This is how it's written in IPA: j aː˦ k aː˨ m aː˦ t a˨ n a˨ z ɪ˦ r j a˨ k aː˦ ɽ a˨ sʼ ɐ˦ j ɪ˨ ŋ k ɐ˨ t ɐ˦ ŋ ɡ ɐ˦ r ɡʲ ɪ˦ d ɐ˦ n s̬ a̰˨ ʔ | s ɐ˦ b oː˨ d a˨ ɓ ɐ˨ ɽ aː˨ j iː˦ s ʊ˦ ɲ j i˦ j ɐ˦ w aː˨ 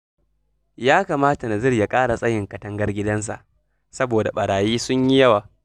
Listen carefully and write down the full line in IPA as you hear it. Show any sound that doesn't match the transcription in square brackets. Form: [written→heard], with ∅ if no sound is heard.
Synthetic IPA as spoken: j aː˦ k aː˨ m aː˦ t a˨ n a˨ z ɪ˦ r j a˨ [k→kʼ] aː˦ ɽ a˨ sʼ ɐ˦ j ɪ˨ ŋ k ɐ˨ t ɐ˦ ŋ ɡ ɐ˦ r ɡʲ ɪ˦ d ɐ˦ n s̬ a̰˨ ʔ | s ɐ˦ b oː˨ d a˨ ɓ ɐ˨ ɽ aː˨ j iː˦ s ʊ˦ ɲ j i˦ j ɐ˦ w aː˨